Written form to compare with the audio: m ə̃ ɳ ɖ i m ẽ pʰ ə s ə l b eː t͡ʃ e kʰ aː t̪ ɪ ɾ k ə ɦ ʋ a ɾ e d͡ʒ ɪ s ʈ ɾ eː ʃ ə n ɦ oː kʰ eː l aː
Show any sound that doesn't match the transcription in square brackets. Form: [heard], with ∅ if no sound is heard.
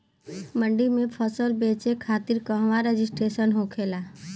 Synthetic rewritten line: m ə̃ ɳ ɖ i m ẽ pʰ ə s ə l b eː t͡ʃ e kʰ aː t̪ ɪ ɾ k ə ɦ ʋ a ɾ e d͡ʒ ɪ s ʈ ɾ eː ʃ ə n ɦ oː kʰ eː l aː